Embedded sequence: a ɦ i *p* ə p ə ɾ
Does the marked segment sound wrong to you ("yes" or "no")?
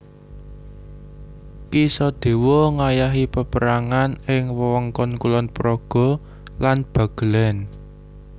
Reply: no